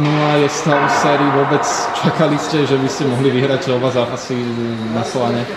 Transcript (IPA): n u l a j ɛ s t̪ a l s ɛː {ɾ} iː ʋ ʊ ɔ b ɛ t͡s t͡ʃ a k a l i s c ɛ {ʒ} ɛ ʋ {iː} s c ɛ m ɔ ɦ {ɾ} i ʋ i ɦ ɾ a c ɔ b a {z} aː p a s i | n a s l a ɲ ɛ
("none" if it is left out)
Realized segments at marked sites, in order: ɾ, ʒ, i, l, z

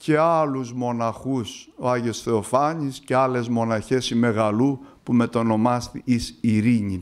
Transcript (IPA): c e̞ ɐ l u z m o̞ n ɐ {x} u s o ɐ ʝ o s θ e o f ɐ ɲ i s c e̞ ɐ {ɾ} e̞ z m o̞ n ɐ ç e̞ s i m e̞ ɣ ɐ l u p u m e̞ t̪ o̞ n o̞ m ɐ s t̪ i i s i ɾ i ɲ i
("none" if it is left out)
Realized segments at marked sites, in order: x, l

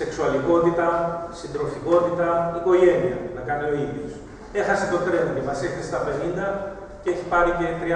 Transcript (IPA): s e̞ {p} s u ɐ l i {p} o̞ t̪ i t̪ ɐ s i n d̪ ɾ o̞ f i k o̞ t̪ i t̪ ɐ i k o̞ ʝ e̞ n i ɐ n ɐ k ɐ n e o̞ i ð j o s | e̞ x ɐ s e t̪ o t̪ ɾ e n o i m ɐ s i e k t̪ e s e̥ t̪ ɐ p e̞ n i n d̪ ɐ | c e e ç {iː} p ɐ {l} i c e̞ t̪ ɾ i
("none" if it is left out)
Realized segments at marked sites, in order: k, k, i, ɾ

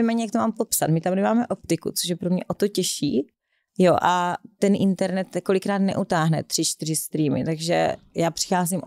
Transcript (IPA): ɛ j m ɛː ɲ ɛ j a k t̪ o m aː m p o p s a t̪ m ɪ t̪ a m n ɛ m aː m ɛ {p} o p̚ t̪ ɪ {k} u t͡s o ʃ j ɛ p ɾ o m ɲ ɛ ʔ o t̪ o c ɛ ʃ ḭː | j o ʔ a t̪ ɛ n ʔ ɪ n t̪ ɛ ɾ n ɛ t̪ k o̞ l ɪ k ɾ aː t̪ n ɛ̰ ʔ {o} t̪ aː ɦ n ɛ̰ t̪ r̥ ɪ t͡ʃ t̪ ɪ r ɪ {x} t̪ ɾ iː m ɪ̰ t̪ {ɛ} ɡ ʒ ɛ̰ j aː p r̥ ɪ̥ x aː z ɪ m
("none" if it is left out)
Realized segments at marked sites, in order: ʔ, k, u, s, a

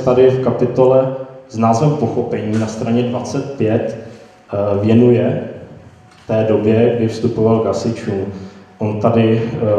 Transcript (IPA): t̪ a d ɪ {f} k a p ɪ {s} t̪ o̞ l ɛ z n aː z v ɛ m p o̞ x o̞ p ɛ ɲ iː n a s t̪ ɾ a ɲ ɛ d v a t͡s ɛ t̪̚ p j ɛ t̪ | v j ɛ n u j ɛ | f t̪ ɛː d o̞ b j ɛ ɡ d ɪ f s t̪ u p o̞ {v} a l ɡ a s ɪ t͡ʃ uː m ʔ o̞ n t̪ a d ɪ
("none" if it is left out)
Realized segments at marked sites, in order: f, none, v

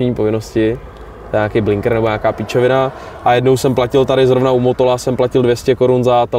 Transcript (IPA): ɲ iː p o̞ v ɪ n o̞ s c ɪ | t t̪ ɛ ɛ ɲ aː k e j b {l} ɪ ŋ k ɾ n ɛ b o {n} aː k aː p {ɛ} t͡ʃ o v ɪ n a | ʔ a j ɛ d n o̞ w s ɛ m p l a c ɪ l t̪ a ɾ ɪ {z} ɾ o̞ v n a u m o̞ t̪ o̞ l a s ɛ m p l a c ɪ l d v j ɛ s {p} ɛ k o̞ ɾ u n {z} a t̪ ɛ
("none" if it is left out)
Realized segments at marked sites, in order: l, ɲ, i, z, c, z

